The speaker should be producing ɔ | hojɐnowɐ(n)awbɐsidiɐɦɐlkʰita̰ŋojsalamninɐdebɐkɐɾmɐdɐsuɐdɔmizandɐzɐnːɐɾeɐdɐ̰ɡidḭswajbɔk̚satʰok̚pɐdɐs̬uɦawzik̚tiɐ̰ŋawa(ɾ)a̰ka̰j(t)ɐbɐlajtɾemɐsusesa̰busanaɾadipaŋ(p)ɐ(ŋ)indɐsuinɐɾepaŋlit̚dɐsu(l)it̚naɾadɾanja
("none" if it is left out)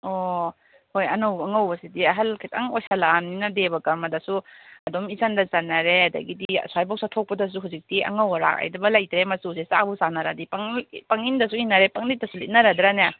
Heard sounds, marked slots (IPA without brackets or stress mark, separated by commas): ŋ, ɾ, d, p, ŋ, l